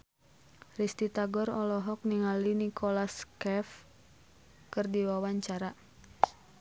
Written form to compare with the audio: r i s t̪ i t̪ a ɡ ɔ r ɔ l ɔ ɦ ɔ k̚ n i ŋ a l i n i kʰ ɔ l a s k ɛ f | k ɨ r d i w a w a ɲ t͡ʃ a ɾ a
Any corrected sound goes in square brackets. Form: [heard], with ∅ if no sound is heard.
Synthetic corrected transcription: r i s t̪ i t̪ a ɡ ɔ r ɔ l ɔ ɦ ɔ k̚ n i ŋ a l i n i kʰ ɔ l a s k ɛ f | k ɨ r d i w a w a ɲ t͡ʃ a ɾ a